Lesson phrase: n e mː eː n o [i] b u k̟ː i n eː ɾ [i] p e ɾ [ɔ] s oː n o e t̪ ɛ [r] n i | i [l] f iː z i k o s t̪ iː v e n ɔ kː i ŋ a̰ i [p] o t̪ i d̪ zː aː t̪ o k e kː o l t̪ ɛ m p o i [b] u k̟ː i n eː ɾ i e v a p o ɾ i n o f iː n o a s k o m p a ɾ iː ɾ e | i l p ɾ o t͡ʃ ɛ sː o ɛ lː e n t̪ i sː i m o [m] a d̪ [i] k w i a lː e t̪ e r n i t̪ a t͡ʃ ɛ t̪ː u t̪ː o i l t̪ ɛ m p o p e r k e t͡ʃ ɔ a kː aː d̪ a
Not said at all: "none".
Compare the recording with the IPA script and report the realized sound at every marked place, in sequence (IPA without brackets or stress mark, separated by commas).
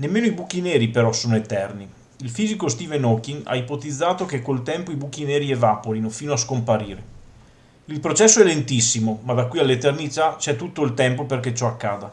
i, i, ɔ, r, l, p, b, m, a